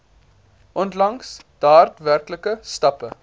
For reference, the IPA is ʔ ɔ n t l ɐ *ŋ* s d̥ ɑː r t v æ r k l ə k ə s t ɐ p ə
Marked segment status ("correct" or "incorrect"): correct